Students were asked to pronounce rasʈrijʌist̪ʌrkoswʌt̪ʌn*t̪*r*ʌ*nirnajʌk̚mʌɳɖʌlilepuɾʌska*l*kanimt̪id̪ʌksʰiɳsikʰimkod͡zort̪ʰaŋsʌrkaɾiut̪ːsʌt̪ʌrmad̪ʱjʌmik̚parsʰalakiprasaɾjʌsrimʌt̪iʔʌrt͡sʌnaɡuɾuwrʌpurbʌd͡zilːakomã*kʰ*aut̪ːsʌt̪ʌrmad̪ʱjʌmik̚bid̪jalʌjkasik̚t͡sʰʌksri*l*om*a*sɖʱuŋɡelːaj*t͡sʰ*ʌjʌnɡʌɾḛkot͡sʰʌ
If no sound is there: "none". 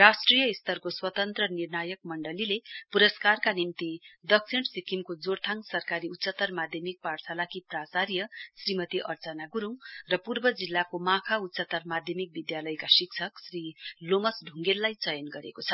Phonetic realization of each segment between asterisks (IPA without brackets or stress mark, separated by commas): t̪, ʌ, r, kʰ, l, ʌ, t͡s